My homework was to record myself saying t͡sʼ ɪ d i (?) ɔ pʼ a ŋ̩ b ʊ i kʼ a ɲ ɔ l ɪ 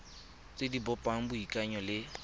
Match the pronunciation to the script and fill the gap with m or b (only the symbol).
b